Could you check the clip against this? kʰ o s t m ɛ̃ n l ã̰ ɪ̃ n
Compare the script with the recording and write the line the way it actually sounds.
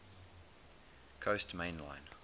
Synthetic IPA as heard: kʰ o s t m ẽ n l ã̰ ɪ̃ n